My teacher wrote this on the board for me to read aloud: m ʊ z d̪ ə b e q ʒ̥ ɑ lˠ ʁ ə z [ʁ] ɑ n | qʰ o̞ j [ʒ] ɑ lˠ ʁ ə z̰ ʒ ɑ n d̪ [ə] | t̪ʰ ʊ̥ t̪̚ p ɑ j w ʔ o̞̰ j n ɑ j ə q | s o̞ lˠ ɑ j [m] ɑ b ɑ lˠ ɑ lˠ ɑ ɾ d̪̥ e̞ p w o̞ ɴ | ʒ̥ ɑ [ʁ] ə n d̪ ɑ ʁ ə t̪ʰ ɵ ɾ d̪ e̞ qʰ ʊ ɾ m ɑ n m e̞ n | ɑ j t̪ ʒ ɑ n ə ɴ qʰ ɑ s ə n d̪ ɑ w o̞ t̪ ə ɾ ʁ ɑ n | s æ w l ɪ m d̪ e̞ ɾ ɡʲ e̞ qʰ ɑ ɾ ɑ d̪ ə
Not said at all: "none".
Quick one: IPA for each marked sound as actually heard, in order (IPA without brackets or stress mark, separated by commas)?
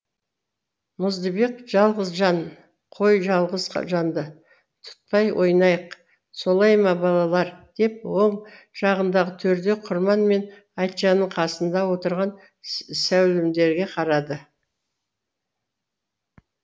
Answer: ʒ, ʒ, ə, m, ʁ